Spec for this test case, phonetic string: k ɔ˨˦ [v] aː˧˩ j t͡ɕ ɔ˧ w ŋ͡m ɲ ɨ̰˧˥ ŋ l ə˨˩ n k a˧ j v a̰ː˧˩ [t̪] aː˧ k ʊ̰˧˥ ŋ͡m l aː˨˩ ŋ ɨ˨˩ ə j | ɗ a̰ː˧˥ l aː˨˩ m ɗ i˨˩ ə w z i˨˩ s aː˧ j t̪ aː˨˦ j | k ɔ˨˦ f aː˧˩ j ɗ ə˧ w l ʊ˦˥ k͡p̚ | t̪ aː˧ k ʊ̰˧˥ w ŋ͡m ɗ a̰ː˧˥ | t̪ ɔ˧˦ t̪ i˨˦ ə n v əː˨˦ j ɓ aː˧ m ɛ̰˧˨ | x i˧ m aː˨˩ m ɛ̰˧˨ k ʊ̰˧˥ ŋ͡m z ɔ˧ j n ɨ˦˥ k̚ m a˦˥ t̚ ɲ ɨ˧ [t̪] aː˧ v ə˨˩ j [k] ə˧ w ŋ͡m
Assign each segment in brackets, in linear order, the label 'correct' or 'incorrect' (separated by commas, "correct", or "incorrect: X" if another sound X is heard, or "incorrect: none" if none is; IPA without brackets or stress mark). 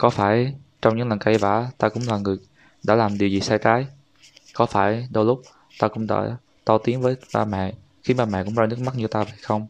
incorrect: f, correct, correct, incorrect: x